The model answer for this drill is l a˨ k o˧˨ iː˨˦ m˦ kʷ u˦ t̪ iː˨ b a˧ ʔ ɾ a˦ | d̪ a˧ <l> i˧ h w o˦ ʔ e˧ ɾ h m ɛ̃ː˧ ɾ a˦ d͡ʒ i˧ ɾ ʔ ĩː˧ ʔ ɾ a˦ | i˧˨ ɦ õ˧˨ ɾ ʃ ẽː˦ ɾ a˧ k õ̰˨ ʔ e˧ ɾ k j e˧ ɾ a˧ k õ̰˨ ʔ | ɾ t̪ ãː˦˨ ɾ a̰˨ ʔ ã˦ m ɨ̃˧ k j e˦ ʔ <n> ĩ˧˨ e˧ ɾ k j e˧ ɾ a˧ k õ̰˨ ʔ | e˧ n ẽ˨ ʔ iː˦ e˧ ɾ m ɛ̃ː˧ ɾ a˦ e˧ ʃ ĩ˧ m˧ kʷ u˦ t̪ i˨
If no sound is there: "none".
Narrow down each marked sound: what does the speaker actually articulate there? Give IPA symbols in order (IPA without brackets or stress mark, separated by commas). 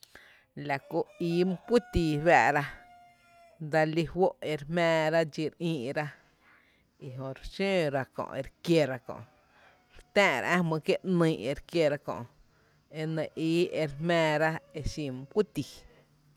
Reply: l, n